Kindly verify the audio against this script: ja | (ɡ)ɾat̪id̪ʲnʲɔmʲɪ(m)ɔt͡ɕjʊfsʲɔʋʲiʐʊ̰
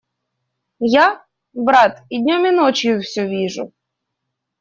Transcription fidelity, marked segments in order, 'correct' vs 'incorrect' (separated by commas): incorrect, incorrect